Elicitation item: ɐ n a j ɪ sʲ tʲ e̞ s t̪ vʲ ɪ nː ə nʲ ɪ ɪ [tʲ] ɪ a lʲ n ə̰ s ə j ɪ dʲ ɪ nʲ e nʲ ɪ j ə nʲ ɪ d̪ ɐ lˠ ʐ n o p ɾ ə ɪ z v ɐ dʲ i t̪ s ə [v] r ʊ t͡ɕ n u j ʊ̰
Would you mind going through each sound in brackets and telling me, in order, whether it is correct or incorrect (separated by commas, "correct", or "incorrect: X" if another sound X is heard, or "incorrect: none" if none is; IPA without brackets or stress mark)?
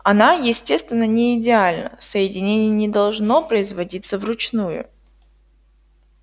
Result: incorrect: dʲ, correct